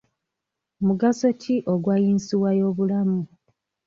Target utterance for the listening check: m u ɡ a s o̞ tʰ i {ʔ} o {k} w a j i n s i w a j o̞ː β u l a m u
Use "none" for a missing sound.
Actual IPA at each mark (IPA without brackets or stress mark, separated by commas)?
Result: ʔ, ɡ